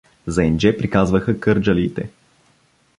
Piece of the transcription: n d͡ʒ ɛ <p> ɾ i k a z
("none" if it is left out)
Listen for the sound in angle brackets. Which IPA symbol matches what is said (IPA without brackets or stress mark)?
p